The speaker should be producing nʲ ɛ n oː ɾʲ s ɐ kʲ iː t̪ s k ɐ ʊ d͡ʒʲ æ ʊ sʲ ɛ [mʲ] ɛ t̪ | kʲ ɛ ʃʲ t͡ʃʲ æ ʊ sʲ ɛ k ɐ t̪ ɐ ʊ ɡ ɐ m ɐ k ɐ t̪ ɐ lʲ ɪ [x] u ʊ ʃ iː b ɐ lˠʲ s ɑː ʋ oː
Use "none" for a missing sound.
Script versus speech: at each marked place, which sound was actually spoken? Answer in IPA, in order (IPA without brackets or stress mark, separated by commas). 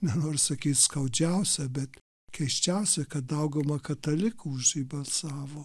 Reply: bʲ, k